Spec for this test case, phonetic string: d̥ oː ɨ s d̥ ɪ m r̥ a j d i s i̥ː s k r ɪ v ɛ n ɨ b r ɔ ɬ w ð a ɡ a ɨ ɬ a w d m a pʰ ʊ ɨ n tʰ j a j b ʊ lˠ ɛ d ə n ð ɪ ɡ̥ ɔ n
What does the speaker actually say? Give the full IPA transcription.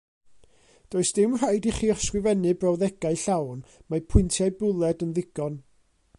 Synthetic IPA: d̥ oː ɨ s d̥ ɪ m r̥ a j d i χ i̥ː s k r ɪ v ɛ n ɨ b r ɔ w ð ɛ ɡ a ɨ ɬ a w n m a pʰ ʊ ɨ n tʰ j a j b ʊ lˠ ɛ d ə n ð ɪ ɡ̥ ɔ n